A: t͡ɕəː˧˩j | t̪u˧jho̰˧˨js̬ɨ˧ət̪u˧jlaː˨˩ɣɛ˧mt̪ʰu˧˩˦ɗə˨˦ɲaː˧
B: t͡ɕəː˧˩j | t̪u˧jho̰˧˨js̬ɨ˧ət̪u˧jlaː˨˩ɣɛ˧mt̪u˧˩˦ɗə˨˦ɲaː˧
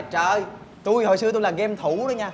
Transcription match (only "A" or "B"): A